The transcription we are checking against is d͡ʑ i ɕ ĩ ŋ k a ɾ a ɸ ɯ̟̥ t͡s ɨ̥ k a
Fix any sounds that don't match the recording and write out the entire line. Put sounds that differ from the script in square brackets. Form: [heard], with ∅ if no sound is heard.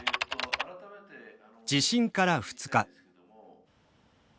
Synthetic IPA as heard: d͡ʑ i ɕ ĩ ŋ k a ɾ a ɸ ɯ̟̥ t͡s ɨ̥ k a